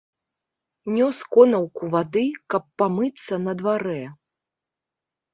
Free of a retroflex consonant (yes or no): yes